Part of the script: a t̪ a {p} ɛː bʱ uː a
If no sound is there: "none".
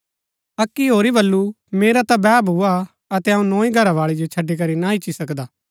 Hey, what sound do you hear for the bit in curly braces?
b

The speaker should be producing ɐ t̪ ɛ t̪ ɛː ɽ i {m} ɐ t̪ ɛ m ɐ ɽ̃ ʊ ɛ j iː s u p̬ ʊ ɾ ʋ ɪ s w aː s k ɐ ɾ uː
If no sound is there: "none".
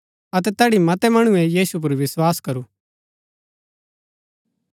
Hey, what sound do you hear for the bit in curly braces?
m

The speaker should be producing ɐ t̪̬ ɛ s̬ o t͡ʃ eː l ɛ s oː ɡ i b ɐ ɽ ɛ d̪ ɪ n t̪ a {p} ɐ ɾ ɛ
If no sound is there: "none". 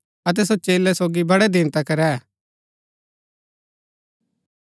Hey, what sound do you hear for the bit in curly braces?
k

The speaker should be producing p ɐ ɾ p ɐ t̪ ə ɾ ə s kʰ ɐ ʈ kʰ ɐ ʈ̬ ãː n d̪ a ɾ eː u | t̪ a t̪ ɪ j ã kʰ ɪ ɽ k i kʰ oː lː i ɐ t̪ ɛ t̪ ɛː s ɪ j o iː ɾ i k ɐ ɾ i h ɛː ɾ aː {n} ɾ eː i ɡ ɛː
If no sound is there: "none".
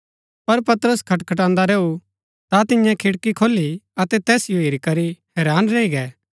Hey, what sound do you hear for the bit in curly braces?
n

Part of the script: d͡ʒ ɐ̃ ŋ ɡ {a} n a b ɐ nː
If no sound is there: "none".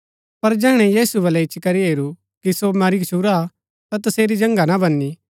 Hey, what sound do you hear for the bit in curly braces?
a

